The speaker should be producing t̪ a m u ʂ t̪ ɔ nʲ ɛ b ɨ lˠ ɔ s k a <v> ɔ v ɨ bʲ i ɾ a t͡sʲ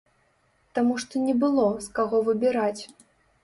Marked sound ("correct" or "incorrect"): incorrect